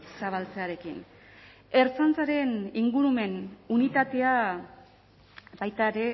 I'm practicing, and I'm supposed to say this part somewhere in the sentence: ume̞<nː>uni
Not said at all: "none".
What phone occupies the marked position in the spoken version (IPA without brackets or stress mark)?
n